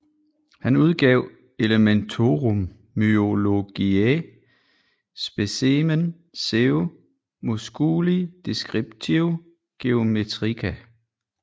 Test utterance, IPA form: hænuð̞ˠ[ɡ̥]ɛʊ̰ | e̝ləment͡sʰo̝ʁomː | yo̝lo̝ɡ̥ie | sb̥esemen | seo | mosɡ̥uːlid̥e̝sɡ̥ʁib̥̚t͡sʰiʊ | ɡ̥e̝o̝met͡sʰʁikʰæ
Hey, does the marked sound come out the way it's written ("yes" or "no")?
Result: yes